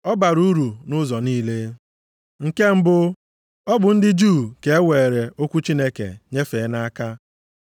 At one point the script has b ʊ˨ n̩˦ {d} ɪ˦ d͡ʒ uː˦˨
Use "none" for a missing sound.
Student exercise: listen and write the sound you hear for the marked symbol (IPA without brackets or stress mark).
d